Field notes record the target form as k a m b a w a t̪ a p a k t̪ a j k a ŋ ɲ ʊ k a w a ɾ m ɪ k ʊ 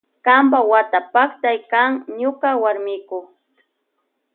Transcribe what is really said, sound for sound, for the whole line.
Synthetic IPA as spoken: k a m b a w a t̪ a p a k t̪ a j k a ŋ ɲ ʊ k a w a ɾ m ɪ k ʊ